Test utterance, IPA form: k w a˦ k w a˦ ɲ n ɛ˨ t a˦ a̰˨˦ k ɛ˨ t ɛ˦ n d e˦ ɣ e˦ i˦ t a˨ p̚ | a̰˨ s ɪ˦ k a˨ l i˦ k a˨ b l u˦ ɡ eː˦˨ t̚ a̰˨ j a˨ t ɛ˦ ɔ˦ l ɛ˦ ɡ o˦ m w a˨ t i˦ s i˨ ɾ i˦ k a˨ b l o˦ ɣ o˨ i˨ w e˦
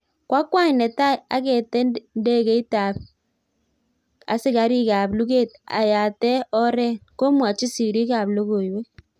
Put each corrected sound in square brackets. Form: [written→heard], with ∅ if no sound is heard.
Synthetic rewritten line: k w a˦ k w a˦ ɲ n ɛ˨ t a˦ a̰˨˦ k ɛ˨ t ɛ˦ n d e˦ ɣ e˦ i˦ t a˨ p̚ | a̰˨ s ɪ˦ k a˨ [l→ɾ] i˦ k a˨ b l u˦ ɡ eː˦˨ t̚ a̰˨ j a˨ t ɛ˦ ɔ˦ [l→ɾ] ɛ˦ [ɡ→k] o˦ m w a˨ [t→t͡ʃ] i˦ s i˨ ɾ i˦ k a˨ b l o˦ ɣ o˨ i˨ w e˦